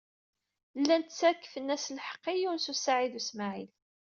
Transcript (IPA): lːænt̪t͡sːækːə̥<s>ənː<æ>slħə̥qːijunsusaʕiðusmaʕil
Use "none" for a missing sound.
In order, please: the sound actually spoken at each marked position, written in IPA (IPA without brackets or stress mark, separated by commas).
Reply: f, æ